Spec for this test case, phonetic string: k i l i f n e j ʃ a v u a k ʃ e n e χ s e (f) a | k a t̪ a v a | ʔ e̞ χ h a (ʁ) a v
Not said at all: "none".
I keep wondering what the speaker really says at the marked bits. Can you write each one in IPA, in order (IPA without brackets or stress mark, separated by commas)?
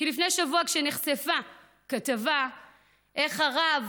f, ʁ